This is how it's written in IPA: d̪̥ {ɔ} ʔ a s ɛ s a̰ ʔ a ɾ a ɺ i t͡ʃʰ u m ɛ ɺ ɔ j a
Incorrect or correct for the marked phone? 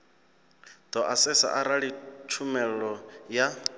correct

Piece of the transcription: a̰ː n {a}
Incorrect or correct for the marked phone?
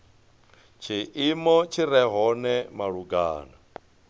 correct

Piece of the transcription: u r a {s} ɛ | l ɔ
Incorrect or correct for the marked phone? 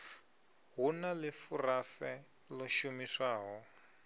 correct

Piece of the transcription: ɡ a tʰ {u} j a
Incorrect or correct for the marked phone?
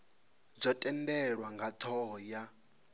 incorrect: ɔ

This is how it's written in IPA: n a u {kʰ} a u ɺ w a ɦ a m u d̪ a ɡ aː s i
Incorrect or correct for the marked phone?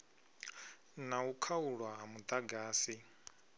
correct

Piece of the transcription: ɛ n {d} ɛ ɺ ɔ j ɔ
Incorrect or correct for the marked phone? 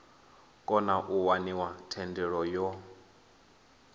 correct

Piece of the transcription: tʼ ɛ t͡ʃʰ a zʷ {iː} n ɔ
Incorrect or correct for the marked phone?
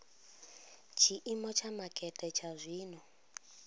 correct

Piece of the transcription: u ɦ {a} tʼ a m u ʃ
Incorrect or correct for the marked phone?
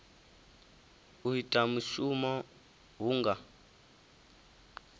incorrect: i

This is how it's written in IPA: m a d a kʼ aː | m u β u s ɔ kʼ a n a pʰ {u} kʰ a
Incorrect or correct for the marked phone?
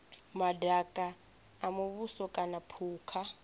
incorrect: uː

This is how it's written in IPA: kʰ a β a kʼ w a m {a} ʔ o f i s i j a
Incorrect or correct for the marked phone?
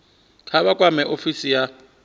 incorrect: ɛ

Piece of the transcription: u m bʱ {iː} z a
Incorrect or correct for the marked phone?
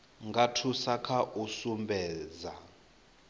incorrect: ɛː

